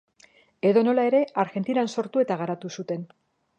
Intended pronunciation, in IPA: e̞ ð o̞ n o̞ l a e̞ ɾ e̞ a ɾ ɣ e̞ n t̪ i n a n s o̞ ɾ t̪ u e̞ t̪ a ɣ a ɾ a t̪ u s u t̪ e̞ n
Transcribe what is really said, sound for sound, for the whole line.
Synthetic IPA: e̞ ð o̞ n o̞ l a e̞ ɾ e̞ a ɾ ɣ e̞ n t̪ i n a n s o̞ ɾ t̪ u e̞ t̪ a ɣ a ɾ a t̪ u s u t̪ e̞ n